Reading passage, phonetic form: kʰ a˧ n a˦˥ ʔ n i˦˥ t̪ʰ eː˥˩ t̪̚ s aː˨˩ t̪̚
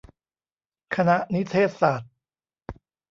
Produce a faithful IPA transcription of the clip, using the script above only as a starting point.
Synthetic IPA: kʰ a˧ n a˦˥ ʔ n i˦˥ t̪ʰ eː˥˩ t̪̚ s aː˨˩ t̪̚